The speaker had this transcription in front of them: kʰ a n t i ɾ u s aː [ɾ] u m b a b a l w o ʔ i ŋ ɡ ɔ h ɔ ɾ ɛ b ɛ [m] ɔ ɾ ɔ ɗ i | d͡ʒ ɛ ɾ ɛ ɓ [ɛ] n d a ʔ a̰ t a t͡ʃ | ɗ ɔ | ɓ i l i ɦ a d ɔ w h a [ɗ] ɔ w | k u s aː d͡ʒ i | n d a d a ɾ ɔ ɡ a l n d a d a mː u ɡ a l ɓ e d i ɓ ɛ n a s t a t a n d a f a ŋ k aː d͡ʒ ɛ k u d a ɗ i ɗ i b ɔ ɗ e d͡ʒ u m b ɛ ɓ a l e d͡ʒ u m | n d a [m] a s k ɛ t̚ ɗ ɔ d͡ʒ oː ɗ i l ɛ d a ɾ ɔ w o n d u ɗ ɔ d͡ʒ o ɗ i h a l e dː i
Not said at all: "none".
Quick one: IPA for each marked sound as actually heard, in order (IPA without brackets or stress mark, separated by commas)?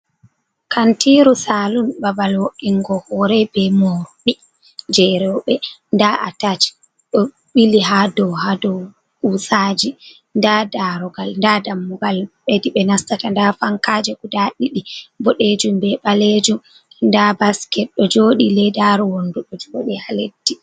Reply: l, m, ɛ, d, b